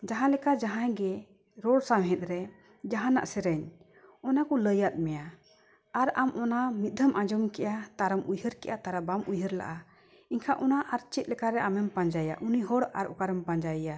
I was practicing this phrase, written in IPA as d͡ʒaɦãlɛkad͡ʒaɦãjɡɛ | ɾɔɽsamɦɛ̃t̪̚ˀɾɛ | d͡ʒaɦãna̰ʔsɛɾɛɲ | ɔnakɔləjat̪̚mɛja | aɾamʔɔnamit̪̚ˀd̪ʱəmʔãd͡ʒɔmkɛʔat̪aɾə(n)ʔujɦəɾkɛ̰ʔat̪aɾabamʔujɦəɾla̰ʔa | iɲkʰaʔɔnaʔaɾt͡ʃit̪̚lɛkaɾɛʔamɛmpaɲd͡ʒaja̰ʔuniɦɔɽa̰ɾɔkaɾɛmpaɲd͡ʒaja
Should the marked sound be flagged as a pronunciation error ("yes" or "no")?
yes